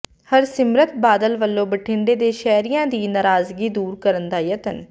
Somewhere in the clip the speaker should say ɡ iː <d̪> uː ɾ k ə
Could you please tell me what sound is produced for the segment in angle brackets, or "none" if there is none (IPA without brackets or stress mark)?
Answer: d̪